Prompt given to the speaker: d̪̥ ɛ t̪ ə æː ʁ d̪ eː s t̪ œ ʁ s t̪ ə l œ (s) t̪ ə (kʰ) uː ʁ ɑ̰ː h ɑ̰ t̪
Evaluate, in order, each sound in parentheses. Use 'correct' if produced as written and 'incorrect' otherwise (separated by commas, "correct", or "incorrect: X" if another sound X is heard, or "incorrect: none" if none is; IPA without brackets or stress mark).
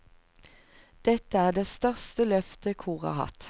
incorrect: f, correct